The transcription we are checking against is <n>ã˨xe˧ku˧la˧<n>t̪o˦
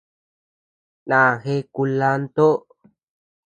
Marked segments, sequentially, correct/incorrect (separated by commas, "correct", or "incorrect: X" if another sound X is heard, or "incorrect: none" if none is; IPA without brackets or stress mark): correct, correct